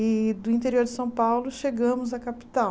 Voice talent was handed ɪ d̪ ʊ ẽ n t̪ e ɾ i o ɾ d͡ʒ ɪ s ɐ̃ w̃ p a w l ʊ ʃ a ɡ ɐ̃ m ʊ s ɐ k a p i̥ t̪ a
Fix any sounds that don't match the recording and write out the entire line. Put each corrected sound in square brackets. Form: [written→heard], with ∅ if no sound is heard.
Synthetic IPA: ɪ d̪ ʊ [ẽ→ĩ] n t̪ e ɾ i o ɾ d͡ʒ ɪ s ɐ̃ w̃ p a w l ʊ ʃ [a→e] ɡ ɐ̃ m ʊ [s→z] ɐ k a p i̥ t̪ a

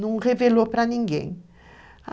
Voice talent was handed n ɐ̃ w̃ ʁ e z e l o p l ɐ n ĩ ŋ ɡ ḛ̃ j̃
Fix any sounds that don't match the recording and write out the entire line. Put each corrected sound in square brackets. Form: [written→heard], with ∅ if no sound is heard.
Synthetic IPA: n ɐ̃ w̃ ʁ e [z→v] e l o p [l→ɾ] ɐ n ĩ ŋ ɡ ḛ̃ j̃

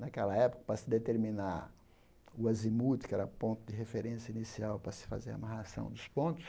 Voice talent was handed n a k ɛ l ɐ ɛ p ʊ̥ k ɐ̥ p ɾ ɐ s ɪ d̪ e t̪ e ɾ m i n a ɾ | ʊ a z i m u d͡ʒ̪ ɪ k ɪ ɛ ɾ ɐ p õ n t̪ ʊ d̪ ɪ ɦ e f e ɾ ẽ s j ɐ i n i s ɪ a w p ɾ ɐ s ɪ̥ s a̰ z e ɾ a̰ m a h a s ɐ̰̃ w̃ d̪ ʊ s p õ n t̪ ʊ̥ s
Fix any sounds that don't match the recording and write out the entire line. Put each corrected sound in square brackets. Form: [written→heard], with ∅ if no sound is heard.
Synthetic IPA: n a k ɛ l ɐ ɛ p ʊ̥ k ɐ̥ p ɾ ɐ s ɪ d̪ e t̪ e ɾ m i n a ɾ | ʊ a z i m u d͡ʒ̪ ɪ k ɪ ɛ ɾ ɐ p õ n t̪ ʊ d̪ ɪ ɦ e f e ɾ ẽ s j ɐ i n i s [ɪ→i] a w p ɾ ɐ s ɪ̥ [s→f] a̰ z e ɾ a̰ m a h a s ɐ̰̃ w̃ d̪ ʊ s p õ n t̪ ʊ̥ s

